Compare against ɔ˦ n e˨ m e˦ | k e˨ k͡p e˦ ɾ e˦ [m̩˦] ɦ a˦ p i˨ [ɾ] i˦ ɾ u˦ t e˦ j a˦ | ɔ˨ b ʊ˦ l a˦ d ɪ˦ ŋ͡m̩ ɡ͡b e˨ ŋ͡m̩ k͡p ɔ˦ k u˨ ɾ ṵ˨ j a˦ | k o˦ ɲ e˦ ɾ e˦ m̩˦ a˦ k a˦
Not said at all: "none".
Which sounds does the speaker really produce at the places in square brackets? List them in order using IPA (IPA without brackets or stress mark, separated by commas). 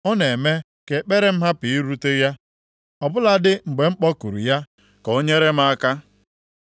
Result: m̩˦, none